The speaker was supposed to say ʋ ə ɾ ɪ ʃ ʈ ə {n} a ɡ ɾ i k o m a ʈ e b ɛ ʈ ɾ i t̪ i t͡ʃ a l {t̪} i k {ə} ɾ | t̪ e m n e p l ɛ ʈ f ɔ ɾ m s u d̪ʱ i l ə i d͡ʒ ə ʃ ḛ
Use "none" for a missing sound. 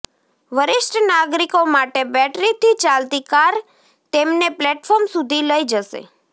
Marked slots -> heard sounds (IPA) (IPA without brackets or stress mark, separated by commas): n, t̪, a